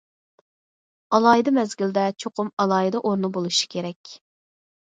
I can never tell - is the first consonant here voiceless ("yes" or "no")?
no